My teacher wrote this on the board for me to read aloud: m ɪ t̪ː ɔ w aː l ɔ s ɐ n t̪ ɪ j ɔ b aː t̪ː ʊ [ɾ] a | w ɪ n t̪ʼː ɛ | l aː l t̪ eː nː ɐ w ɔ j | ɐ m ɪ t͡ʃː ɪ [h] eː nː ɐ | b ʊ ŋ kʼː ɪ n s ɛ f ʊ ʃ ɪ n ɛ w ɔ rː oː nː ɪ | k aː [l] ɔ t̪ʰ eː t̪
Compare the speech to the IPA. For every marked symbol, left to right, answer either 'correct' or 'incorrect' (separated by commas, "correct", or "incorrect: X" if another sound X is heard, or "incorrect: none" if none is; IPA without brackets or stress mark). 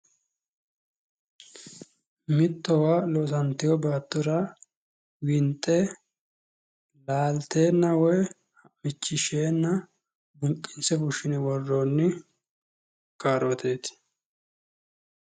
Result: correct, incorrect: ʃ, incorrect: ɾ